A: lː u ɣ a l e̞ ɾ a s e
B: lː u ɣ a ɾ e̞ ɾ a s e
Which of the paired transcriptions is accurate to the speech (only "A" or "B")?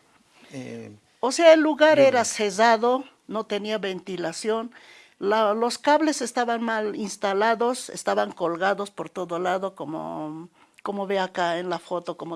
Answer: B